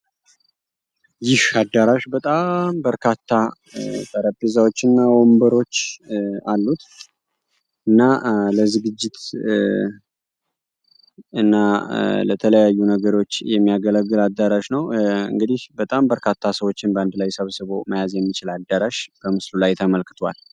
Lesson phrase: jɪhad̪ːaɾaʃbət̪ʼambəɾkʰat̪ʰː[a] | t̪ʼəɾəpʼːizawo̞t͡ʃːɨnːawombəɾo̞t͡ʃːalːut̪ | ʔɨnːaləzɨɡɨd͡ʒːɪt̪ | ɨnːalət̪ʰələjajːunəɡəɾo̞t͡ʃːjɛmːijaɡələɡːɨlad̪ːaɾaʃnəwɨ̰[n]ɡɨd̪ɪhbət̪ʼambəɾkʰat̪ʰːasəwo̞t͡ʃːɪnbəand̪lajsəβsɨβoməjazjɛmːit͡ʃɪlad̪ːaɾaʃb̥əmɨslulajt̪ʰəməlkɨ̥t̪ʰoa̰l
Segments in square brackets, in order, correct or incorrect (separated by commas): correct, incorrect